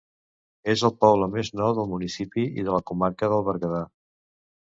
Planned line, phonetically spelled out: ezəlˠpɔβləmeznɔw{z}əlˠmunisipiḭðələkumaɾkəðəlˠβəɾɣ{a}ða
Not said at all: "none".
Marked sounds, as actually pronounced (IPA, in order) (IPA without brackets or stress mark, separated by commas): ð, ə